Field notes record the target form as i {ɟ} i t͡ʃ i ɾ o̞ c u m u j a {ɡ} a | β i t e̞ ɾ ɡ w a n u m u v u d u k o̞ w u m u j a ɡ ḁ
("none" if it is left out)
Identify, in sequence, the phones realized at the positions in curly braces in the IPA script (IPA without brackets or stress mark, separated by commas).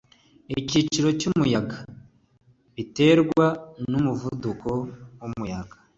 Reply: c, ɡ